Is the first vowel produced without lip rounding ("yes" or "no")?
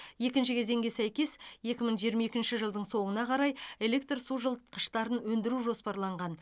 yes